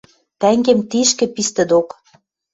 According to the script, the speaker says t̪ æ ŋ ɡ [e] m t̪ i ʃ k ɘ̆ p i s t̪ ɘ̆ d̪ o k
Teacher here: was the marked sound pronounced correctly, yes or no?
yes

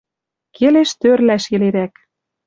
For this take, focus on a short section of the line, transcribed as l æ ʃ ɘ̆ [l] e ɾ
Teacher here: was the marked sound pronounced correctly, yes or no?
yes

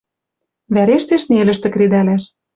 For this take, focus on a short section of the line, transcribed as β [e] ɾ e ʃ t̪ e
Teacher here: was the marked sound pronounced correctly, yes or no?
no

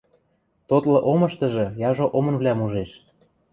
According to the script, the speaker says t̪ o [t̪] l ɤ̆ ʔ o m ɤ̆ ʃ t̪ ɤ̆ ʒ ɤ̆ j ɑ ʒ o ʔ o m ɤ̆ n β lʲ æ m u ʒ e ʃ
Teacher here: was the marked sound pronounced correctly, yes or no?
yes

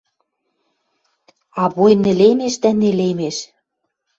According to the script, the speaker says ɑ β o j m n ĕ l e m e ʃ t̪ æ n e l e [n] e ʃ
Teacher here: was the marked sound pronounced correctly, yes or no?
no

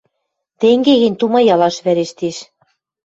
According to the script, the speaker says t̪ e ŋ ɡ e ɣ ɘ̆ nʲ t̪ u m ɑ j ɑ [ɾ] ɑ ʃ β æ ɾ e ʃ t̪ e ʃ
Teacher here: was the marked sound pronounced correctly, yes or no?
no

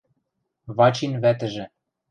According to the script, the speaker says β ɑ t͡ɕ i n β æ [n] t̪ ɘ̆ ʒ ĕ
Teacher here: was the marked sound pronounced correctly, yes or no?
no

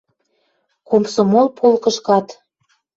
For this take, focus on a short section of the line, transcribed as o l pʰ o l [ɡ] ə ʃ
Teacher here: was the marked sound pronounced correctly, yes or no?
no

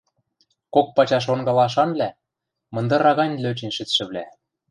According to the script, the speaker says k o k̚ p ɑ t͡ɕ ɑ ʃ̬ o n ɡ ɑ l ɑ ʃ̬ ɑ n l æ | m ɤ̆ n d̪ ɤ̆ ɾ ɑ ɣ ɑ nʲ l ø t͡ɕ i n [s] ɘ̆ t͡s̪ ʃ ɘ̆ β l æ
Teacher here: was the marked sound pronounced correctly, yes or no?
no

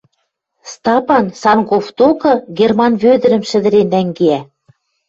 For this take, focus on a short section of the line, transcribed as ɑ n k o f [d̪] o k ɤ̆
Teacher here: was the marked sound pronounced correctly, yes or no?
no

